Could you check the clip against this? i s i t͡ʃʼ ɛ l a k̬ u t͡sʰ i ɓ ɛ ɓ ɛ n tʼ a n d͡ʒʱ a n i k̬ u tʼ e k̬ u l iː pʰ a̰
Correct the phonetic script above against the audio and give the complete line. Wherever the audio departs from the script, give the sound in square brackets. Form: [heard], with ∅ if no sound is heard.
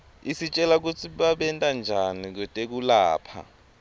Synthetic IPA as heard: i s i t͡ʃʼ ɛ l a k̬ u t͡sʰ i ɓ [a] ɓ ɛ n tʼ a n d͡ʒʱ a n i k̬ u tʼ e k̬ u l [aː] pʰ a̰